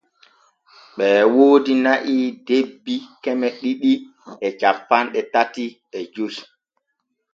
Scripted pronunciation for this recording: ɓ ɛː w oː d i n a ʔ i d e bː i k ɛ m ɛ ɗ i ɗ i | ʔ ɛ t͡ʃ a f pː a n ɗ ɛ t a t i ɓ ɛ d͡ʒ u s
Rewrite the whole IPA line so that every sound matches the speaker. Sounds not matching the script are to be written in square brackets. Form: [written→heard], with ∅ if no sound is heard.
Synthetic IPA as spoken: ɓ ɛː w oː d i n a ʔ i d e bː i k ɛ m ɛ ɗ i ɗ i | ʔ ɛ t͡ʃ a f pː a n ɗ ɛ t a t i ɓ ɛ d͡ʒ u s